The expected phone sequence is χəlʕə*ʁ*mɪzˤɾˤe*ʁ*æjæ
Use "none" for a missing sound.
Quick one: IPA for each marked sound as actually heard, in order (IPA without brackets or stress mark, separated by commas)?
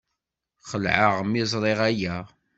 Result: ʁ, ʁ